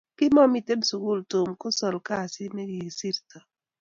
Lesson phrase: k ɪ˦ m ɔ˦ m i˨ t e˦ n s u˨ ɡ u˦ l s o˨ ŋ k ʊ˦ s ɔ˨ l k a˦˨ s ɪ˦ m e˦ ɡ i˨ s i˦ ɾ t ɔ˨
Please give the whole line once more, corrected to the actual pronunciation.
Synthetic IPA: k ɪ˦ m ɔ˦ m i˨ t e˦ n s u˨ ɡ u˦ l t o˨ m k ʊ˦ s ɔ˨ l k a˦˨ s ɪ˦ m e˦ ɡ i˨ s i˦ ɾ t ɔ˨